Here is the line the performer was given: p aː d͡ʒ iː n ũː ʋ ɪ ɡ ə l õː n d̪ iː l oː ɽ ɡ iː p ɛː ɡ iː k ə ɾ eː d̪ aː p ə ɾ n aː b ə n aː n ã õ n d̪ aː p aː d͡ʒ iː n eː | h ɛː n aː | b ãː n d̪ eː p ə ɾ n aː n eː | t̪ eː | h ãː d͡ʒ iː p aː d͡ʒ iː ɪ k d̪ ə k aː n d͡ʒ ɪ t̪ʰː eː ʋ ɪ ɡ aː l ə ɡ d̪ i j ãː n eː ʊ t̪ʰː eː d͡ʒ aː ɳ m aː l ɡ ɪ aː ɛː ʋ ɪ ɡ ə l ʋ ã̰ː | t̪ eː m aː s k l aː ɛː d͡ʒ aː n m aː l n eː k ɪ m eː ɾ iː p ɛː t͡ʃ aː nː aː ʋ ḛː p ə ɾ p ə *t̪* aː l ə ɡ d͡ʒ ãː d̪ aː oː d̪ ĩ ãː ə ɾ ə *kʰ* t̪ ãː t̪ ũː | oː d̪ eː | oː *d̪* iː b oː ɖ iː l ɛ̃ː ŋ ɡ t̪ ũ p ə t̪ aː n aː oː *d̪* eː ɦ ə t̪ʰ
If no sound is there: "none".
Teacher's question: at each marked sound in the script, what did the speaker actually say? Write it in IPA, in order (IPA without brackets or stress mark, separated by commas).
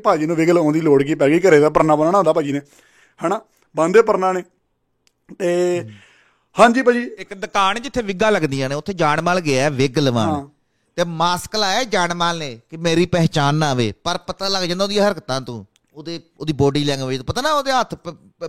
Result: t̪, k, d̪, d̪